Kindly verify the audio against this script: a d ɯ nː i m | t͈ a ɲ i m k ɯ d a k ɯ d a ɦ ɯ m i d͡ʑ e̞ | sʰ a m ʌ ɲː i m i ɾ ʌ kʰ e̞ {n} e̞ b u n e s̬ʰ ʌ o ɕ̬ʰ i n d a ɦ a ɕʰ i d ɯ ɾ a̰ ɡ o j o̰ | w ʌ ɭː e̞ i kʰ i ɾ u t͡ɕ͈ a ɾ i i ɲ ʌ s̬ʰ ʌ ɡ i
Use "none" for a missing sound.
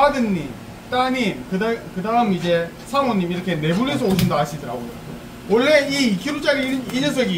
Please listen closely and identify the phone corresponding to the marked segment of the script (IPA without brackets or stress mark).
n